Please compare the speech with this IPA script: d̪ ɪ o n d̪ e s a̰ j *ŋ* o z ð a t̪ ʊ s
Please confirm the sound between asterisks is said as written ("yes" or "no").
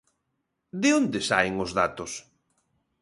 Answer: yes